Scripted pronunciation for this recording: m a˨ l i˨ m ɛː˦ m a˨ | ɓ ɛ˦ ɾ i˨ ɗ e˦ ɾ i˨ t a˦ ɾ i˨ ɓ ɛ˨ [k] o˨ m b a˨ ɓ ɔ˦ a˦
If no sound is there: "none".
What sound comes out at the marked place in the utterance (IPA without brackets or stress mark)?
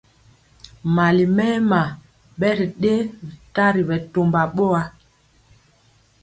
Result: t